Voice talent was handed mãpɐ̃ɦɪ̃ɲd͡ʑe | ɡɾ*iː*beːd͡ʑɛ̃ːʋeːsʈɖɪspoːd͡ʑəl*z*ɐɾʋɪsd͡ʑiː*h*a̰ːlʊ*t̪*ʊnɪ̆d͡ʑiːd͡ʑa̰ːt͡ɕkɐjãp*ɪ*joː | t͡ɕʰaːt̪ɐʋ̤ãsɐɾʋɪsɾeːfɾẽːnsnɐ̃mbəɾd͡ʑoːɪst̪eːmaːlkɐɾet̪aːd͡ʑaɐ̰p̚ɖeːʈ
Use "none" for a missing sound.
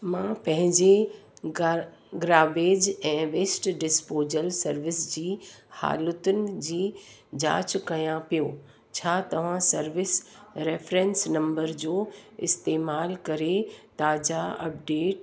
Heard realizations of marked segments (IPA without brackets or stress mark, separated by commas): aː, s, h, t̪, i